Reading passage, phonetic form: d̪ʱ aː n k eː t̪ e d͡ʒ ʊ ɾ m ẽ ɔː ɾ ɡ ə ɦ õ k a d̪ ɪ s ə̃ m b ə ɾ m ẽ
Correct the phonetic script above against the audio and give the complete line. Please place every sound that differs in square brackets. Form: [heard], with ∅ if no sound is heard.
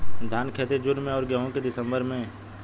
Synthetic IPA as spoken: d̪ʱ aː n [kʰ] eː t̪ e d͡ʒ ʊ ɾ m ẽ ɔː ɾ ɡ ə ɦ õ k [e] d̪ ɪ s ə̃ m b ə ɾ m ẽ